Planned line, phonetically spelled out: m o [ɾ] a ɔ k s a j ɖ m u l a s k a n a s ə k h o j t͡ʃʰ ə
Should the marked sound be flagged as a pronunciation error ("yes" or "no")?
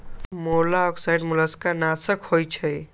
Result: yes